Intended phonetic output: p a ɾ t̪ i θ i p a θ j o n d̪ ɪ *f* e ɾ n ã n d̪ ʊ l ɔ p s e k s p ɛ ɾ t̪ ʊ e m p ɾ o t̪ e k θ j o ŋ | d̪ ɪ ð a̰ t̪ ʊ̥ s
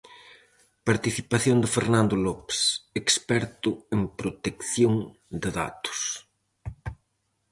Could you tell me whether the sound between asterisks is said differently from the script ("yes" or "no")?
no